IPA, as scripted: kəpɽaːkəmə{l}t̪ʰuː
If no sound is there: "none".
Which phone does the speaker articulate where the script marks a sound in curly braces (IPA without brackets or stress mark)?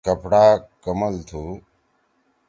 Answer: l